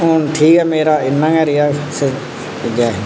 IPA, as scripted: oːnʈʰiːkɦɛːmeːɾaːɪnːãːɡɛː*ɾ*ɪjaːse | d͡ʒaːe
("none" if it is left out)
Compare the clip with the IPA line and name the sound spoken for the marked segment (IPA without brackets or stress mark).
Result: ɾ